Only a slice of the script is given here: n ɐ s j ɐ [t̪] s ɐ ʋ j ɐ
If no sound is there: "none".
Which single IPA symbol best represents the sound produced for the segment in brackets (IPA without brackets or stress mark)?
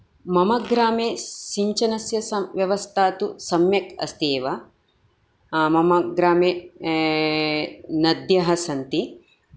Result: none